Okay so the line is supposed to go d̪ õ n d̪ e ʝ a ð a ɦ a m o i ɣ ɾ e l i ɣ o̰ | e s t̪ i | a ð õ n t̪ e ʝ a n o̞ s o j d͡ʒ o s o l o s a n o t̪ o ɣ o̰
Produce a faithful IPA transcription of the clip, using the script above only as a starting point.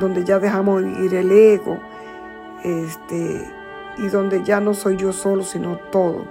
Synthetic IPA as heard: d̪ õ n d̪ e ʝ a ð e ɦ a m o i ɾ e l e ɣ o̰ | e s t̪ e | i ð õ n d̪ e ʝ a n o̞ s o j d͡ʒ o s o l o s i n o t̪ o ð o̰